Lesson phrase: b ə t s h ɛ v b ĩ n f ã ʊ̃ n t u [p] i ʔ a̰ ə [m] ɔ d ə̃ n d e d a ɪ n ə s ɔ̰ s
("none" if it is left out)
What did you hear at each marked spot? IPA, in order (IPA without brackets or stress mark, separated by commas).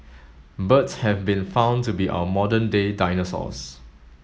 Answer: b, m